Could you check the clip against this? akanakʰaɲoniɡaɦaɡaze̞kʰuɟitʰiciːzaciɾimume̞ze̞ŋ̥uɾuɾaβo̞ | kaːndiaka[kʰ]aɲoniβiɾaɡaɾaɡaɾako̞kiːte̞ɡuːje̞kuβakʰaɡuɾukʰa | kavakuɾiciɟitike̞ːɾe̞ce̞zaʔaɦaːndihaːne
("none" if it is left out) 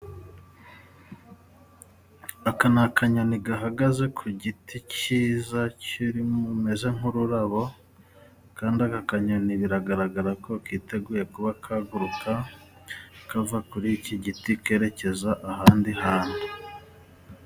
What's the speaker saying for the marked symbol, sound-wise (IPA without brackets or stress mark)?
k